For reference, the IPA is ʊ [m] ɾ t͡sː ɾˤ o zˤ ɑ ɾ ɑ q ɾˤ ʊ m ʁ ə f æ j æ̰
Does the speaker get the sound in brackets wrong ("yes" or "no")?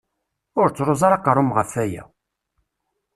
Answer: yes